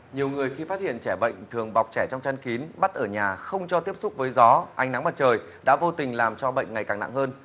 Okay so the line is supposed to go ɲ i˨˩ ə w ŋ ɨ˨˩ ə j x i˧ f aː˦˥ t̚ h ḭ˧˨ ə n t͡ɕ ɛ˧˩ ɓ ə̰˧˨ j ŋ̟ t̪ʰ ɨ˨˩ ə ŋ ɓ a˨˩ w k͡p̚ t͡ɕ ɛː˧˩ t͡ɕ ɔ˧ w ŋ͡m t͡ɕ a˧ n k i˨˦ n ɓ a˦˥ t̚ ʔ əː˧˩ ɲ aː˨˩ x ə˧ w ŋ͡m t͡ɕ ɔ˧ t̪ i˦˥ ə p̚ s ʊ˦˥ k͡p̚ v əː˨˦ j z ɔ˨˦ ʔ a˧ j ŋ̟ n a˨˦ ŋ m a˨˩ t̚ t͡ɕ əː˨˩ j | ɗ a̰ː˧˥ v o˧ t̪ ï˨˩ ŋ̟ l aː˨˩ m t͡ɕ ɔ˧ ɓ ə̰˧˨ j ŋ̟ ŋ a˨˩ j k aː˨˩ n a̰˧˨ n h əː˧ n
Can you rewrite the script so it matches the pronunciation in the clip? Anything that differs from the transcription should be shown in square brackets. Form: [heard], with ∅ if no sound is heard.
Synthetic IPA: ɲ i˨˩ ə w ŋ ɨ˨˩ ə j x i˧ f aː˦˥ t̚ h ḭ˧˨ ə n t͡ɕ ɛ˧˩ ɓ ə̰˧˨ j ŋ̟ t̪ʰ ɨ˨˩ ə ŋ ɓ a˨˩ w k͡p̚ t͡ɕ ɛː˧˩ t͡ɕ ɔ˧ w ŋ͡m t͡ɕ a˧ n k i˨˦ n ɓ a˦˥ t̚ ʔ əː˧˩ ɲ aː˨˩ x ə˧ w ŋ͡m t͡ɕ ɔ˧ t̪ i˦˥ ə p̚ s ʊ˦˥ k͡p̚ v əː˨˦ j z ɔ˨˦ ʔ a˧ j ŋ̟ n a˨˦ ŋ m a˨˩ t̚ t͡ɕ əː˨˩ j | ɗ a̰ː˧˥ v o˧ t̪ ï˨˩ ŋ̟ l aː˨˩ m t͡ɕ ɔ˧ ɓ ə̰˧˨ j ŋ̟ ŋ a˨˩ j k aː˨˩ n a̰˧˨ [ŋ] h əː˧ n